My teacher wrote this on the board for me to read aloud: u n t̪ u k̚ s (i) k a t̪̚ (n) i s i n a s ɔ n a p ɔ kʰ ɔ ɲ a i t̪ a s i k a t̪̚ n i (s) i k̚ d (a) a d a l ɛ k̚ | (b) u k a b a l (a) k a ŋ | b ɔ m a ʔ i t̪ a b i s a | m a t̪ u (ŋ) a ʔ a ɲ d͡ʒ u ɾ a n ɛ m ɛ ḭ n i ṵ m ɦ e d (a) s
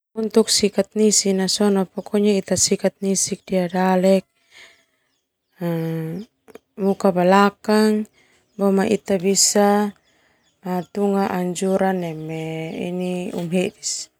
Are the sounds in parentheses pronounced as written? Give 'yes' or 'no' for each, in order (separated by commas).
yes, yes, yes, no, no, yes, yes, no